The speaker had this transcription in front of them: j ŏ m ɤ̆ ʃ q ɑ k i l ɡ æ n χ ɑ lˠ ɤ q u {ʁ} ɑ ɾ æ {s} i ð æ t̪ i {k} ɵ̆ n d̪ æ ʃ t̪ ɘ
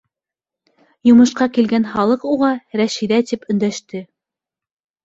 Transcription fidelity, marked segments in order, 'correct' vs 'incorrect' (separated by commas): correct, incorrect, incorrect